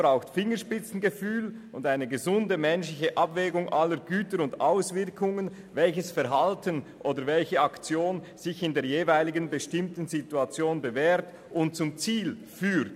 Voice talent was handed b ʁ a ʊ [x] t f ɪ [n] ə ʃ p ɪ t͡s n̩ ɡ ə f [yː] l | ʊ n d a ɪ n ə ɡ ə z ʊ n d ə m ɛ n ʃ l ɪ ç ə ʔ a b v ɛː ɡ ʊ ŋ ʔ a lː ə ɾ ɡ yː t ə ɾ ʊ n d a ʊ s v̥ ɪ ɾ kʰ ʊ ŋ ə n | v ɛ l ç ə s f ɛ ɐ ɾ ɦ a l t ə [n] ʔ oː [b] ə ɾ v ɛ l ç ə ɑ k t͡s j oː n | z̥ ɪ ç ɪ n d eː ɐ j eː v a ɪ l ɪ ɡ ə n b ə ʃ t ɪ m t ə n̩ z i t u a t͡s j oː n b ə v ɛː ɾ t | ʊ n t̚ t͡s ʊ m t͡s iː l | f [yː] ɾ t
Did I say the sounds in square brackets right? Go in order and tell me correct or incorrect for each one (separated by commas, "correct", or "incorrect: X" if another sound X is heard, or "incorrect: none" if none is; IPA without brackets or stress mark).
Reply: correct, incorrect: ŋ, correct, correct, incorrect: d, correct